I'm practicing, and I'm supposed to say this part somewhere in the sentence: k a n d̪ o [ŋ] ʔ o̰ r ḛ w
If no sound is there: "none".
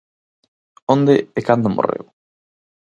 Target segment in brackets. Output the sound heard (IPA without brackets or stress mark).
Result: m